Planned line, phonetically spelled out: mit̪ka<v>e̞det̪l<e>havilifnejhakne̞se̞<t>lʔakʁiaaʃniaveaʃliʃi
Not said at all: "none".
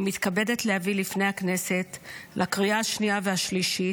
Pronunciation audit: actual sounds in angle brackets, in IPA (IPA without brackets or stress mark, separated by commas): b, e, t